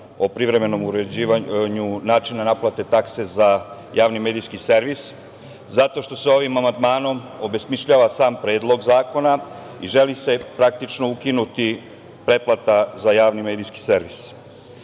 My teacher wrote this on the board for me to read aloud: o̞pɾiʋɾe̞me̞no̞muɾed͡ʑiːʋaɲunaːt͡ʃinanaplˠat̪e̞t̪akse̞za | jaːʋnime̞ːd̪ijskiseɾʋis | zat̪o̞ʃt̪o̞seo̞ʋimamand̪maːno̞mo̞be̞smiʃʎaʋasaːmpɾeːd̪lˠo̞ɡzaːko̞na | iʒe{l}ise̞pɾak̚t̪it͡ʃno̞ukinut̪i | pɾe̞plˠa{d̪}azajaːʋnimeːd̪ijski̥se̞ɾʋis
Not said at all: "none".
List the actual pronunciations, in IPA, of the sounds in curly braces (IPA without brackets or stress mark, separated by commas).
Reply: l, t̪